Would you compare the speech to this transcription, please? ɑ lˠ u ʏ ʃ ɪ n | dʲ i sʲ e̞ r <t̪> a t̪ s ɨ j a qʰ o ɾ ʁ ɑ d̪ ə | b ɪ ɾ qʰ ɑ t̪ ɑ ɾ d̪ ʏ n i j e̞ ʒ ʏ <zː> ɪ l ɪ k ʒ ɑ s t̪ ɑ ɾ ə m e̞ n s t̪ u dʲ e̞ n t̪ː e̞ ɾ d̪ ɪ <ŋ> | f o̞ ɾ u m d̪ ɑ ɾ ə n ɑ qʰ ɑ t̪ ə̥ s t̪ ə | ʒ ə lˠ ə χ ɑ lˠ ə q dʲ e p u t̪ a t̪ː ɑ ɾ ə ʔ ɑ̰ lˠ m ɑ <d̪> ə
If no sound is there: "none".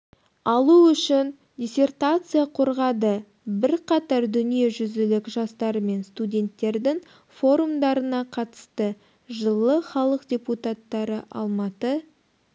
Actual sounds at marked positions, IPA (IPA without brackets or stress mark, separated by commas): t̪, z, ŋ, t̪